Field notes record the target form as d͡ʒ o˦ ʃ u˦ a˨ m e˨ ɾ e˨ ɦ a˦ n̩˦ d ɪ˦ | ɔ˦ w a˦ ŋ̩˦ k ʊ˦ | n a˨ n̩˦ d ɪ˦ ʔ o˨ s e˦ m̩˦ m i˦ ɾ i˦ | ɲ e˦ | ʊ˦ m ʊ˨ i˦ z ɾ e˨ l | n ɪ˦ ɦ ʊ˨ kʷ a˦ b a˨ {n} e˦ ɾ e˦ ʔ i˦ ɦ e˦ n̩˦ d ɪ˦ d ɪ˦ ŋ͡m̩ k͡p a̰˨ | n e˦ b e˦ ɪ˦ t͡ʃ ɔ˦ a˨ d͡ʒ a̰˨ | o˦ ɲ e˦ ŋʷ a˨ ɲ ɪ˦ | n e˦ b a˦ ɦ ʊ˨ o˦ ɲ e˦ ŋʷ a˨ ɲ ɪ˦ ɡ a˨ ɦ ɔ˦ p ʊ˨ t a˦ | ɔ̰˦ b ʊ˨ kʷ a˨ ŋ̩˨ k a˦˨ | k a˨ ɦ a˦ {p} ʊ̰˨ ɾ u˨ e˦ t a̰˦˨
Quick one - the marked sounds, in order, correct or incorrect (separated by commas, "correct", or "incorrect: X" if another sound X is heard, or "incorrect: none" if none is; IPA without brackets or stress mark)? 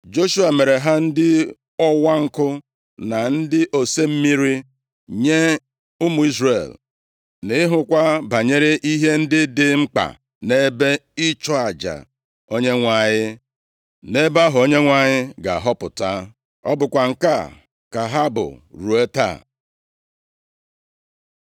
incorrect: ɲ, incorrect: b